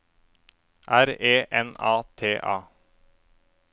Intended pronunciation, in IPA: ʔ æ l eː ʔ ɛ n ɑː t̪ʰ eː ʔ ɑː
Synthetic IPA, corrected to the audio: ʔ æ ɾ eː ʔ ɛ n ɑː t̪ʰ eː ʔ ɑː